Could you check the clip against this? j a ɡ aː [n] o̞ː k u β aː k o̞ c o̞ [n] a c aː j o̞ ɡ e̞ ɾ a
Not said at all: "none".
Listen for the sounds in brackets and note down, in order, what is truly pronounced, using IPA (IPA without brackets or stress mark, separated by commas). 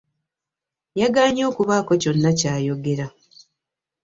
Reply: ɲ, nː